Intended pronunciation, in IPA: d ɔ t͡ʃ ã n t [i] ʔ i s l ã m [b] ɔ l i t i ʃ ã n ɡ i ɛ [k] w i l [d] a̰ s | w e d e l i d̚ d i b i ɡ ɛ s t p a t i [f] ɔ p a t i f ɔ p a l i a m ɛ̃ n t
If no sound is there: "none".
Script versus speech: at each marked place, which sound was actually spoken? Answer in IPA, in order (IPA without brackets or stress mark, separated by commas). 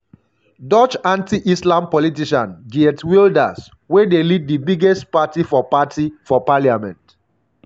i, p, t, d, f